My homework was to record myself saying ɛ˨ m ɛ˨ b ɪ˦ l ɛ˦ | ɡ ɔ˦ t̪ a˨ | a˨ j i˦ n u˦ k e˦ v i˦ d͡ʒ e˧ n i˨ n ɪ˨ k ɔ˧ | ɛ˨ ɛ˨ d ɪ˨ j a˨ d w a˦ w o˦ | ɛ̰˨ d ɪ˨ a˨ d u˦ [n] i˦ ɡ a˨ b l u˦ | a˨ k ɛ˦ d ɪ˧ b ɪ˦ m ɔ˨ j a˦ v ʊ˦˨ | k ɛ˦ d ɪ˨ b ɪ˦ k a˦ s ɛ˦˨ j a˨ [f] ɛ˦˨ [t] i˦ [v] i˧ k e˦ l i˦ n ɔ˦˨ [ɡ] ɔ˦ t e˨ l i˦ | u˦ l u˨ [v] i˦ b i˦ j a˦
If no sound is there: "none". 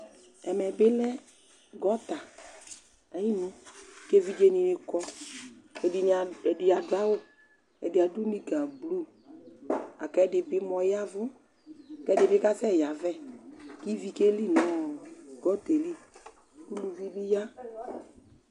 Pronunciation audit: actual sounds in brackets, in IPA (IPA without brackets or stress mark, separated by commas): n, v, k, v, ɡ, v